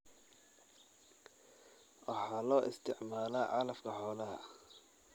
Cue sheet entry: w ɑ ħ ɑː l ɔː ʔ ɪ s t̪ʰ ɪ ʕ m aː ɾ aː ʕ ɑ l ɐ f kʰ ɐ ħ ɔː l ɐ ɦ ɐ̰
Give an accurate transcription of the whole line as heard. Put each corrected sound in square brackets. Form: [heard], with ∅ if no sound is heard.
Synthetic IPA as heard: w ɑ ħ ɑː l ɔː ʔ ɪ s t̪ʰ ɪ ʕ m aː [l] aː ʕ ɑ l ɐ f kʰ ɐ ħ ɔː l ɐ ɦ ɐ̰